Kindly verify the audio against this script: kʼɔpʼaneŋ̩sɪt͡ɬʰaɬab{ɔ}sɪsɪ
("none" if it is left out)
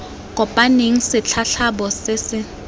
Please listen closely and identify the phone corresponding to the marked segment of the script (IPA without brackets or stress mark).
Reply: ɔ